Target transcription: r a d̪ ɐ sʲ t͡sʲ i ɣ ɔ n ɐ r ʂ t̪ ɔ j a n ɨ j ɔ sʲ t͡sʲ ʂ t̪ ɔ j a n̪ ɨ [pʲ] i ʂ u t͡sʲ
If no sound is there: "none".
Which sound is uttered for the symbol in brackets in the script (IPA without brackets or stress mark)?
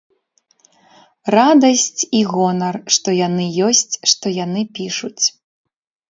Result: pʲ